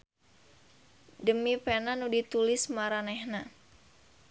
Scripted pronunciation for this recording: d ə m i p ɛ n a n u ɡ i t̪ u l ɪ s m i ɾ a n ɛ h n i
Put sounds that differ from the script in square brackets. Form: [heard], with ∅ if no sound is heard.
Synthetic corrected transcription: d ə m i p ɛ n a n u [d] i t̪ u l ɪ s m [a] ɾ a n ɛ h n [a]